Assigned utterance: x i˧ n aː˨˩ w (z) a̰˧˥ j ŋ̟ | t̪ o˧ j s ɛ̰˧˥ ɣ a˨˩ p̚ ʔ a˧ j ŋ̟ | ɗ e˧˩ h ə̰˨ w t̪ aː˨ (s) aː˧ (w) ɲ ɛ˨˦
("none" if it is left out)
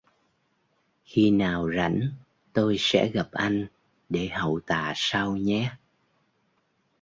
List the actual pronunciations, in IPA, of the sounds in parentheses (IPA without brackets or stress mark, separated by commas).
z, s, w